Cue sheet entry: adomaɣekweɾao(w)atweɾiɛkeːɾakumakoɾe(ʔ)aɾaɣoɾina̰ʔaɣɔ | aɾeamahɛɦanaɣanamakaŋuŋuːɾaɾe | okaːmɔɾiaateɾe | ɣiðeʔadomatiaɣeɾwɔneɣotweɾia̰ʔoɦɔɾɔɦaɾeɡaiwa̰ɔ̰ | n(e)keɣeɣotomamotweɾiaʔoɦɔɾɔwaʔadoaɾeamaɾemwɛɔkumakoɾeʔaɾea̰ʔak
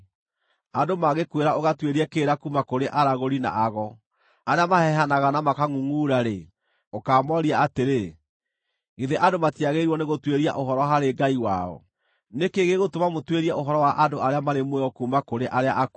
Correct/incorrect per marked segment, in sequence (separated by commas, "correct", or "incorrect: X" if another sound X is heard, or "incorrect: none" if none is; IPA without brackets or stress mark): incorrect: ɣ, correct, correct